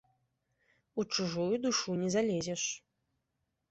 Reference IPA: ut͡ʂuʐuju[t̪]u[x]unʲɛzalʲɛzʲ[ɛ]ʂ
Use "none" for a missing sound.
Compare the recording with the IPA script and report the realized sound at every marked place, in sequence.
d̪, ʂ, ɛ

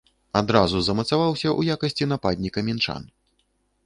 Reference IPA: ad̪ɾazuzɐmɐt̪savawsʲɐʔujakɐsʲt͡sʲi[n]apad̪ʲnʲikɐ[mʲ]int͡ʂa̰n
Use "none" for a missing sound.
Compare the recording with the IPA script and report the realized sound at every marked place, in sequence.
n, mʲ

